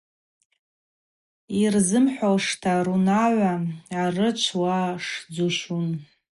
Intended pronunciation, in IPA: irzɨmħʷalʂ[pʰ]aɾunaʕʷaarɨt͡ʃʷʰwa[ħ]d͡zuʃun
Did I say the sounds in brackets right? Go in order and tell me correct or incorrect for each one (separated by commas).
incorrect, incorrect